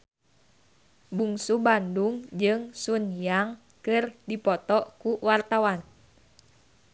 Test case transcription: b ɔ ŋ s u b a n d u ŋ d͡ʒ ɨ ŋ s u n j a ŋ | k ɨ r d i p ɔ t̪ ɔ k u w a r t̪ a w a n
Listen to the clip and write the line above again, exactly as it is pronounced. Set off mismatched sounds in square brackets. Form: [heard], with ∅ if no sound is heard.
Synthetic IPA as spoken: b [u] ŋ s u b a n d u ŋ d͡ʒ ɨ ŋ s u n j a ŋ | k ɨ r d i p ɔ t̪ ɔ k u w a r t̪ a w a n